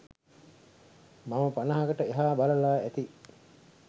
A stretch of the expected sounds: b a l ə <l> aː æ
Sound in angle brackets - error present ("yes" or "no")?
no